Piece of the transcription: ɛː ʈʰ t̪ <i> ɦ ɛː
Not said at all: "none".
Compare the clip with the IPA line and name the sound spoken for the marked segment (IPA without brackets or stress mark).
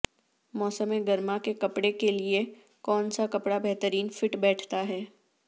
a